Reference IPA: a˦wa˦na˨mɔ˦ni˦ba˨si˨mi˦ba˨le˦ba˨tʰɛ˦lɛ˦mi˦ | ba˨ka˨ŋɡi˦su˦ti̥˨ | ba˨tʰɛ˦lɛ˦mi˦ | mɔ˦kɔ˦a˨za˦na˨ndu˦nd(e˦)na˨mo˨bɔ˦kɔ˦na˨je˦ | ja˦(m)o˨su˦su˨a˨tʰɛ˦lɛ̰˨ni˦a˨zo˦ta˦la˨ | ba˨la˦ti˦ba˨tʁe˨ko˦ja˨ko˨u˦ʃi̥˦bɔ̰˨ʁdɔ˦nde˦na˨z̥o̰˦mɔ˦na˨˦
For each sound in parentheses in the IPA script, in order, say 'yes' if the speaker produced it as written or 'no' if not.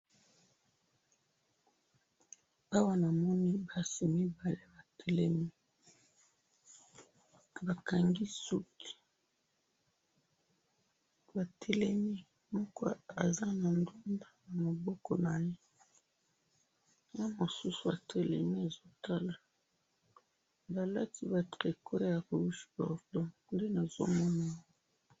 no, yes

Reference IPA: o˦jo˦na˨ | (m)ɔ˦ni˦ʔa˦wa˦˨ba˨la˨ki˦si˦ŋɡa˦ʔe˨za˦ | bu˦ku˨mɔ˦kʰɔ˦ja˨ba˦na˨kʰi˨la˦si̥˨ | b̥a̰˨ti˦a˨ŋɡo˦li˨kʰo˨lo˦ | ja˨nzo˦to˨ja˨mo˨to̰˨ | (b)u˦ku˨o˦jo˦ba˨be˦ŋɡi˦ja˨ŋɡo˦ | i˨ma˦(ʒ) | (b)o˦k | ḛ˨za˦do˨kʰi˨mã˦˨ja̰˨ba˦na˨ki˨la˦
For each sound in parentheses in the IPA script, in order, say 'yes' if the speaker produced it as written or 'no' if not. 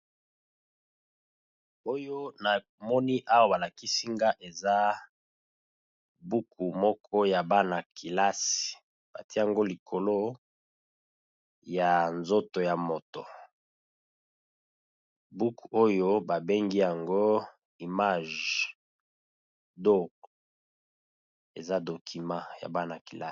yes, yes, yes, no

